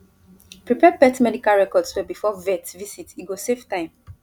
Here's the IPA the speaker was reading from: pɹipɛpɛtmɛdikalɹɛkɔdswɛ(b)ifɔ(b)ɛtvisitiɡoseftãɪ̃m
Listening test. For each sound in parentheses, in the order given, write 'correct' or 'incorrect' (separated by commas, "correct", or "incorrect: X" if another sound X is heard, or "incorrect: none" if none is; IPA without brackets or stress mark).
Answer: correct, incorrect: v